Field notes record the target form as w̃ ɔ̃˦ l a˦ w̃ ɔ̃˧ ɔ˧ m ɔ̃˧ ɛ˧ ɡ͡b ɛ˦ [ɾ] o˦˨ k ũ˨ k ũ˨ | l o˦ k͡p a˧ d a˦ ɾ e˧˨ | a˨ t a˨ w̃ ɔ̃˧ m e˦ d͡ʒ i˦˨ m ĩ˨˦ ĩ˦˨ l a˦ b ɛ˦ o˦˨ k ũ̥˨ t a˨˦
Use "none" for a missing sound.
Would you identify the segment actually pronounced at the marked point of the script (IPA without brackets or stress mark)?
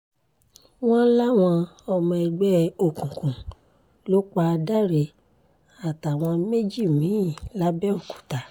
none